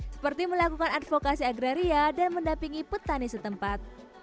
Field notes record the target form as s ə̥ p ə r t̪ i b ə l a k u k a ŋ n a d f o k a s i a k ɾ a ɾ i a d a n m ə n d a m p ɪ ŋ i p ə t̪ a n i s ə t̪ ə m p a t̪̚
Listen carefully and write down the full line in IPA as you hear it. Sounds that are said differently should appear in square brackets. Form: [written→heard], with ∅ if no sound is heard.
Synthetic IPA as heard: s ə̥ p ə r t̪ i [b→m] ə l a k u k a [ŋ→∅] n a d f o k a s i a [k→ɡ] ɾ a ɾ i a d a n m ə n d a m p [ɪ→i] ŋ i p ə t̪ a n i s ə t̪ ə m p a t̪̚

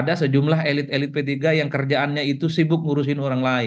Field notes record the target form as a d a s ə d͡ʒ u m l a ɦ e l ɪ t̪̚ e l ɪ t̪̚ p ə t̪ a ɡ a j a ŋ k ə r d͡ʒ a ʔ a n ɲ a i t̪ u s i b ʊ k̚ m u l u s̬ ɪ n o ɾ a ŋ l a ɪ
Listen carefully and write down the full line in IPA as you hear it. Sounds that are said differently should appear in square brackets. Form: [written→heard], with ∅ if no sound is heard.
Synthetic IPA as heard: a d a s ə d͡ʒ u m l a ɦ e l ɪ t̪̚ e l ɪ t̪̚ p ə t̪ [a→i] ɡ a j a ŋ k ə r d͡ʒ a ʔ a n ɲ a i t̪ u s i b ʊ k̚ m u [l→ɾ] u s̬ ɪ n o ɾ a ŋ l a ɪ

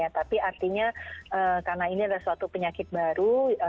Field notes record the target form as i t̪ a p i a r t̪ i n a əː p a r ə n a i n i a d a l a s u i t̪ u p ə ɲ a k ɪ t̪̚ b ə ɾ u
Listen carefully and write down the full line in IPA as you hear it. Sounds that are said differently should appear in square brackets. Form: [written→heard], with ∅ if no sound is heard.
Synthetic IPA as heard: [i→a] t̪ a p i a r t̪ i [n→ɲ] a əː [p→k] a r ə n a i n i a d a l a s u [i→a] t̪ u p ə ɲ a k ɪ t̪̚ b [ə→a] ɾ u

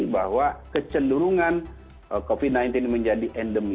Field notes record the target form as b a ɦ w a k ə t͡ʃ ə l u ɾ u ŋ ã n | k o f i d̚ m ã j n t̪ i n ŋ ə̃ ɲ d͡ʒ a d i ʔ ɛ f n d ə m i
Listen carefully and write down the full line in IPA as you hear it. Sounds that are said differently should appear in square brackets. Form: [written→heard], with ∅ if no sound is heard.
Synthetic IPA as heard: b a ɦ w a k ə t͡ʃ ə l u ɾ u ŋ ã n | k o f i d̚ [m→n] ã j n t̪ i n [ŋ→m] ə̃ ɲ d͡ʒ a d i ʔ ɛ [f→∅] n d ə m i

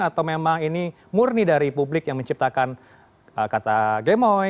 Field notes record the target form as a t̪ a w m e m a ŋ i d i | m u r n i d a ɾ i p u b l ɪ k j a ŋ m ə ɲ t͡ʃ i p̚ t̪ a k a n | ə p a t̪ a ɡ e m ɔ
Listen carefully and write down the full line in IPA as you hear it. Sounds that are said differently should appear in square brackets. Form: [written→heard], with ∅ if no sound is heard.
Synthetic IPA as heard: a t̪ a w m e m a ŋ i [d→n] i | m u r n i d a ɾ i p u b l ɪ k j a ŋ m ə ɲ t͡ʃ i p̚ t̪ a k a n | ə [p→k] a t̪ a ɡ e m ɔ

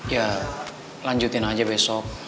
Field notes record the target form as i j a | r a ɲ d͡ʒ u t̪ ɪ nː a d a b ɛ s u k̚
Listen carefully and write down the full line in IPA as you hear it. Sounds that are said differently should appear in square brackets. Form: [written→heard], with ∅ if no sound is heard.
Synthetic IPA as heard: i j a | [r→l] a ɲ d͡ʒ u t̪ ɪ [nː→n] a [d→d͡ʒ] a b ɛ s [u→ɔ] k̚

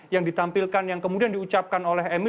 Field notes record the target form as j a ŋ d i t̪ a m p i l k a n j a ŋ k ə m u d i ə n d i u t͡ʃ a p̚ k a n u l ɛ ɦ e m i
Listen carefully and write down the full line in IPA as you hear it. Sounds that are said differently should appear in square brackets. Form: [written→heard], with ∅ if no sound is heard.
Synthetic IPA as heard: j a ŋ d i t̪ a m p i l k a n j a ŋ k ə m u d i [ə→a] n d i u t͡ʃ a p̚ k a n [u→o] l ɛ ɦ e m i

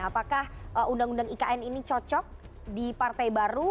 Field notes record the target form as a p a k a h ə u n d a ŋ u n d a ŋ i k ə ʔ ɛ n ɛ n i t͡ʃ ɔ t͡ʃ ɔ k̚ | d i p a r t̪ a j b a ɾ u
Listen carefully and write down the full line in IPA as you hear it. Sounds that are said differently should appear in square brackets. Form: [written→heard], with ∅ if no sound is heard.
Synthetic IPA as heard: a p a k a h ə u n d a ŋ u n d a ŋ i k [ə→a] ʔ ɛ n [ɛ→i] n i t͡ʃ ɔ t͡ʃ ɔ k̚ | d i p a r t̪ a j b a ɾ u

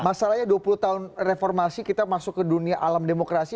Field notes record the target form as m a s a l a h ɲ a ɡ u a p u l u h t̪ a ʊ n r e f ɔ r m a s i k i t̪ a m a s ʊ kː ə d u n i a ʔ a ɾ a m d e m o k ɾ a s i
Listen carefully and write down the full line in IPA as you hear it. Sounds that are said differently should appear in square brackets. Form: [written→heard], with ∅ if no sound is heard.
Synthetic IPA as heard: m a s a l a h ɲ a [ɡ→d] u a p u l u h t̪ a ʊ n r e f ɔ r m a s i k i t̪ a m a s ʊ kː ə d u n i a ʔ a [ɾ→l] a m d e m o k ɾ a s i

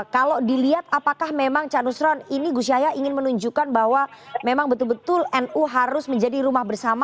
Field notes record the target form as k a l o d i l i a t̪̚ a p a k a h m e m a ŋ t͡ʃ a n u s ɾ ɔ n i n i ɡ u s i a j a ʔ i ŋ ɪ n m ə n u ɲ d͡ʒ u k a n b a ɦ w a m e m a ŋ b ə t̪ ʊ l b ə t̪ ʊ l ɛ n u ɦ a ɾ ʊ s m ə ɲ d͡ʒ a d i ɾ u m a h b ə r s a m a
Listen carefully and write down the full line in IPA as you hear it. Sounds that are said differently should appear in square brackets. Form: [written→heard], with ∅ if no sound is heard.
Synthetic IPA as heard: k a l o d i l i a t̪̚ a p a k a h m e m a ŋ t͡ʃ a n u s ɾ ɔ n i n i ɡ u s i a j a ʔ i ŋ ɪ n m ə n u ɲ d͡ʒ u k a n b a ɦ w a m e m a ŋ b ə t̪ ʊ l b ə t̪ ʊ l ɛ n u ɦ a ɾ ʊ s m ə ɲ d͡ʒ a d i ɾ u m a h b ə r s a m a

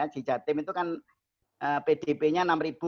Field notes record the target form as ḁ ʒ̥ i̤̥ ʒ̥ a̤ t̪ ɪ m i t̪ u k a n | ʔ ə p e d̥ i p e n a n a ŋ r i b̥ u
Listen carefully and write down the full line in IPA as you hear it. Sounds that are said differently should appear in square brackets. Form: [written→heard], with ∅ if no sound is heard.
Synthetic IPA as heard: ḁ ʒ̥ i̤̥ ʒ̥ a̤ t̪ ɪ m i t̪ u k a n | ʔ ə p e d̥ [i→e] p e [n→ɲ] a n a [ŋ→m] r i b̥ u

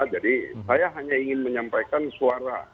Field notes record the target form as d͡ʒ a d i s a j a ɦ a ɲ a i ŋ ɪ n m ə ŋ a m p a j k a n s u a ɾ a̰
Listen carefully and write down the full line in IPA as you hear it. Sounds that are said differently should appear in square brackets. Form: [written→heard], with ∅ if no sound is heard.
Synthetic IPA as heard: d͡ʒ a d i s a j a ɦ a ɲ a i ŋ ɪ n m ə [ŋ→ɲ] a m p a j k a n s u a ɾ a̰

